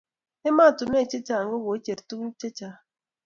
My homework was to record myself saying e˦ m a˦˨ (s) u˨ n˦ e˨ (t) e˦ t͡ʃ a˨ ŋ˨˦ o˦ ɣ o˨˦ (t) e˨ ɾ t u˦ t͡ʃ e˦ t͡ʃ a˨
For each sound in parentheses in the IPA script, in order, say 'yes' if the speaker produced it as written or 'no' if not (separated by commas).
no, no, no